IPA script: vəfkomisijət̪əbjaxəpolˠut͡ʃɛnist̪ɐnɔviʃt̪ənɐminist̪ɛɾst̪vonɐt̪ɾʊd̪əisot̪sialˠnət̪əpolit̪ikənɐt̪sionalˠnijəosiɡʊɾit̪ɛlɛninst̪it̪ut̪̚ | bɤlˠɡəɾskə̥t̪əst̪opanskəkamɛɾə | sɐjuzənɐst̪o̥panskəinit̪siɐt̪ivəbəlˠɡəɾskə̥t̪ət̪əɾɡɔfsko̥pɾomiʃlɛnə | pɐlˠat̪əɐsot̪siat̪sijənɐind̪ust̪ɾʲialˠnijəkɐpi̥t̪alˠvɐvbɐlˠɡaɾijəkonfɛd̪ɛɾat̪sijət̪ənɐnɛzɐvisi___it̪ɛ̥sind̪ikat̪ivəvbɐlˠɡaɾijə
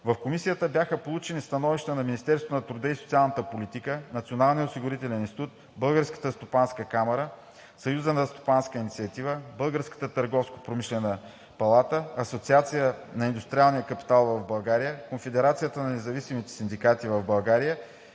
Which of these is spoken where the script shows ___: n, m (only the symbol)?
m